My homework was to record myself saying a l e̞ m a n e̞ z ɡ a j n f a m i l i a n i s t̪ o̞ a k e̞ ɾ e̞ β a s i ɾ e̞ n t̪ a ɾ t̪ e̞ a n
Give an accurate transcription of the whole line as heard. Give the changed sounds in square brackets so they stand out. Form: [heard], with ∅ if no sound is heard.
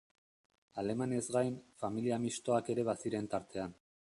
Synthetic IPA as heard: a l e̞ m a n e̞ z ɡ a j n f a m i l i a [m] i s t̪ o̞ a k e̞ ɾ e̞ β a s i ɾ e̞ n t̪ a ɾ t̪ e̞ a n